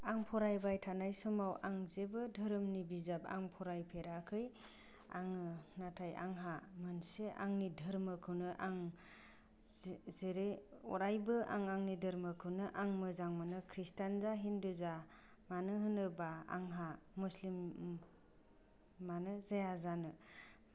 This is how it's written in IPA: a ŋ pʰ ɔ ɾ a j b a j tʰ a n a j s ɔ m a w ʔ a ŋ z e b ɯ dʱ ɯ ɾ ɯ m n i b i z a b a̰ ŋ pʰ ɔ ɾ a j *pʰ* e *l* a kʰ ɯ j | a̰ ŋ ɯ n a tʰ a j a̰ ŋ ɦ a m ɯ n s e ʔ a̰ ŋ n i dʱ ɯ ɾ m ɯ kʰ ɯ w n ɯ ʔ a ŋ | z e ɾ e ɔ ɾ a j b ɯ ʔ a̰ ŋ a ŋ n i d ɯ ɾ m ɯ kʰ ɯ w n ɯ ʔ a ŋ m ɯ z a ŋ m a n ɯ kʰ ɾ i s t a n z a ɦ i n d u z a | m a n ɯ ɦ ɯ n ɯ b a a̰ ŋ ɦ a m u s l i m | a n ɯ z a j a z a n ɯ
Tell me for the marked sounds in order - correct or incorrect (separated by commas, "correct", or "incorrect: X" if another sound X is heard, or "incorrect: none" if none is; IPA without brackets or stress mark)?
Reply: correct, incorrect: ɾ